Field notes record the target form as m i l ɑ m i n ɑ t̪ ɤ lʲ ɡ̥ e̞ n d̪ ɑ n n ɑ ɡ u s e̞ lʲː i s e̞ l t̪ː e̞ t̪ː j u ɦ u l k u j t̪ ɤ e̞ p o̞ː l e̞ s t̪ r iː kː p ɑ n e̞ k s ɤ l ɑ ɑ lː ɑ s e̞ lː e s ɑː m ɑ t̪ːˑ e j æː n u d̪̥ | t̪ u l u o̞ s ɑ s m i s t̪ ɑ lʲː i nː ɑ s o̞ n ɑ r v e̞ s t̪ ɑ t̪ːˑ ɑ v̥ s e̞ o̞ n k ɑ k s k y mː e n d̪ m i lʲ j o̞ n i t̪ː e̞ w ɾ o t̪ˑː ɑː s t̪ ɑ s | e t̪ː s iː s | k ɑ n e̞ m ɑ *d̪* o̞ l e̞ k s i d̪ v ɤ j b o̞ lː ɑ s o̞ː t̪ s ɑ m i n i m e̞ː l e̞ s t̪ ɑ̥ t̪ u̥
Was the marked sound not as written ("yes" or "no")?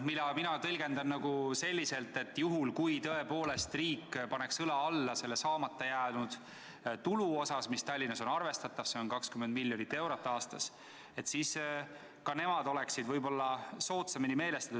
no